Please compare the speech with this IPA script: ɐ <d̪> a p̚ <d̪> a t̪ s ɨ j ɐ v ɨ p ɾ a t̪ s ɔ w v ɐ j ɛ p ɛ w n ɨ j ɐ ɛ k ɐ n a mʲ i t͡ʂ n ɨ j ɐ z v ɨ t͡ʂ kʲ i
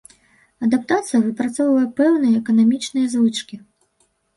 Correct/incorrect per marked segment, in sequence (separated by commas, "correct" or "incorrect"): correct, incorrect